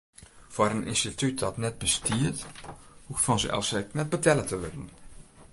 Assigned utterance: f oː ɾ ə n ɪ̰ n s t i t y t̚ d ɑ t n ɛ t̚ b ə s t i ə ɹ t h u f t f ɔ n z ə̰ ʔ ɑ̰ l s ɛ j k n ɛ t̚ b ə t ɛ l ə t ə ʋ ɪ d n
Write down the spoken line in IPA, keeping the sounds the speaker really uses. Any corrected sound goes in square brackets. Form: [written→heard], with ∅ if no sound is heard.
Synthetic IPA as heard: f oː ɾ ə n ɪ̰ n s t i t y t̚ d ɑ t n ɛ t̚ b ə s t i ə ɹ t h u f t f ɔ n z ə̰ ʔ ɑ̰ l s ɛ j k n ɛ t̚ b ə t ɛ l ə t ə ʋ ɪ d n